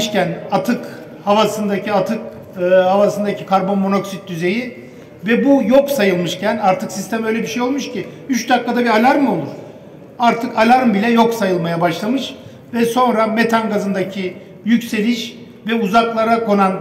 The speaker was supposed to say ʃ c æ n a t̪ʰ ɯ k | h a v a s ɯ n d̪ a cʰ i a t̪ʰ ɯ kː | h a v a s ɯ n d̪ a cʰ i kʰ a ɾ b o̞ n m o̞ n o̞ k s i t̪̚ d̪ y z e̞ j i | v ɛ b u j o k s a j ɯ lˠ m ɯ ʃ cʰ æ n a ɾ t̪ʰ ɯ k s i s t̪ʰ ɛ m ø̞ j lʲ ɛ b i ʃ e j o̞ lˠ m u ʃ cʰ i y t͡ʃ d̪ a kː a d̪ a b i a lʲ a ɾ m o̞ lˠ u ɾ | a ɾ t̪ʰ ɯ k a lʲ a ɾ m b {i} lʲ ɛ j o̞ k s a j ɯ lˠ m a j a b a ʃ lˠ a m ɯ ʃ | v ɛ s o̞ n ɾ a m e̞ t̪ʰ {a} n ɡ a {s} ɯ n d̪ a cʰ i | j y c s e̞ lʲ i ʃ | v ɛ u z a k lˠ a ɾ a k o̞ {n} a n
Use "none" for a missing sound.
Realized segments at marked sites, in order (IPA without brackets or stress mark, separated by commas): i, a, z, n